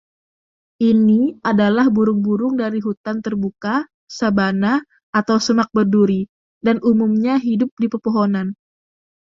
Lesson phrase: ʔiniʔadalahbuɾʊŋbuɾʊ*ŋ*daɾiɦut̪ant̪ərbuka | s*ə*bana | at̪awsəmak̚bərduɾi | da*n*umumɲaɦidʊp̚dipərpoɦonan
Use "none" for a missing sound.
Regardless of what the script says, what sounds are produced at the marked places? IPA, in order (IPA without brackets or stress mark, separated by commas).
ŋ, a, n